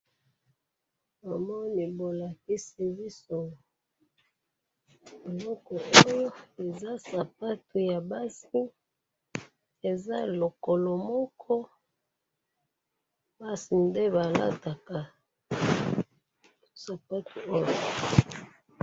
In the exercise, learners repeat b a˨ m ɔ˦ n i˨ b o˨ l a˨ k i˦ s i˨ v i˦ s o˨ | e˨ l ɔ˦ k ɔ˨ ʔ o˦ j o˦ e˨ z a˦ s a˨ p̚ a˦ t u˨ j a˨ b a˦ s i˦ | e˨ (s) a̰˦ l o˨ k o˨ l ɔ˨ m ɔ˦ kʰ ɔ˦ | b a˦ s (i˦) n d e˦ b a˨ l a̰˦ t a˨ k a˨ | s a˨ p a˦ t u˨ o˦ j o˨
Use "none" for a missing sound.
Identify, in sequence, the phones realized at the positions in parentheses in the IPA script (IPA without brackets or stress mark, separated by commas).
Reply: z, i˨